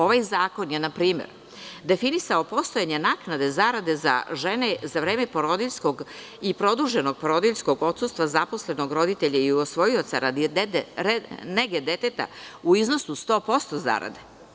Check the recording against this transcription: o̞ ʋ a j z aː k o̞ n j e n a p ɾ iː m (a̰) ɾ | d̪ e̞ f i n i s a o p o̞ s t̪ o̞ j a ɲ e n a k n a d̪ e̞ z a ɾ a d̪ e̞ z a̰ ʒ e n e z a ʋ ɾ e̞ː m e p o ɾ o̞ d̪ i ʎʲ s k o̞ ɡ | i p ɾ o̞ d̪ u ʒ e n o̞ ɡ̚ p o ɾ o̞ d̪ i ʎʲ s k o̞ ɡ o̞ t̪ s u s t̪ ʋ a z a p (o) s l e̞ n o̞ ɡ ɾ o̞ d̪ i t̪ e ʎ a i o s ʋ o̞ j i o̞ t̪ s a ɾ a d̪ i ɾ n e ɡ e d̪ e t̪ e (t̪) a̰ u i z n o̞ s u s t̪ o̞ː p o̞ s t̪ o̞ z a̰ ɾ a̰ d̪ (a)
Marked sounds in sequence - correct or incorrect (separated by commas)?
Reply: incorrect, correct, correct, incorrect